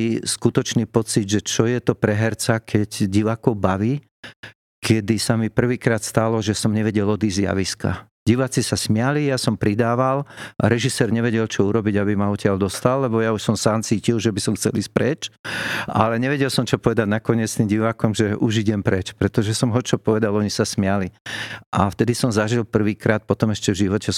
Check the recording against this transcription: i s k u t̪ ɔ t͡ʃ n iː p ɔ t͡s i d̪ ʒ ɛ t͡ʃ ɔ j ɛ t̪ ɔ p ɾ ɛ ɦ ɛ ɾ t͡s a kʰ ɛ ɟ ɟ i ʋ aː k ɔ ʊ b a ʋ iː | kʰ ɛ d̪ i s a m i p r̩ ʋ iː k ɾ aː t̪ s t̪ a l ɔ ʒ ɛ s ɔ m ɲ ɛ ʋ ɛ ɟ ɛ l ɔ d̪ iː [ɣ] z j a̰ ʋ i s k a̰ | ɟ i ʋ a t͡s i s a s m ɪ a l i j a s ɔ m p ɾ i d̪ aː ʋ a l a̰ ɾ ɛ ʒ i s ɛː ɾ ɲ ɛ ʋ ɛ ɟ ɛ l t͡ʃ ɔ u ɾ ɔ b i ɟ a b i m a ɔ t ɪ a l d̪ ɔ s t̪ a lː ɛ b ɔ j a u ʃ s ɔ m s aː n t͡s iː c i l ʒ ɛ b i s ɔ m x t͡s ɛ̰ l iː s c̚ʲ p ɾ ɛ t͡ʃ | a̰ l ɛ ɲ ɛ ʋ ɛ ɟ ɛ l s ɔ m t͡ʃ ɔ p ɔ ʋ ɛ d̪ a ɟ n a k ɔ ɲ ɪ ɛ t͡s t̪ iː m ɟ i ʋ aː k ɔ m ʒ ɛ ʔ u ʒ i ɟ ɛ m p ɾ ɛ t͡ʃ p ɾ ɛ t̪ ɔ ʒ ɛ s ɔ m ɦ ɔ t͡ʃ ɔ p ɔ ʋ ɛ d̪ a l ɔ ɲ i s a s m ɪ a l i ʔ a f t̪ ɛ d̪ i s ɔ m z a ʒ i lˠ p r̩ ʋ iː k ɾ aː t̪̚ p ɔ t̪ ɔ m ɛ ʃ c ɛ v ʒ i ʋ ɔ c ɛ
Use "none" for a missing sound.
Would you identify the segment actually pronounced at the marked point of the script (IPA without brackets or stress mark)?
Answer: z